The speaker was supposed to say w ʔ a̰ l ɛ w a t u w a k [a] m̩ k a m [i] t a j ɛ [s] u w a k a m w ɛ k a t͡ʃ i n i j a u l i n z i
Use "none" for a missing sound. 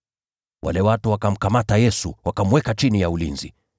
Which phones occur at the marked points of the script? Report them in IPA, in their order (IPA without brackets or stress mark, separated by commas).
a, a, s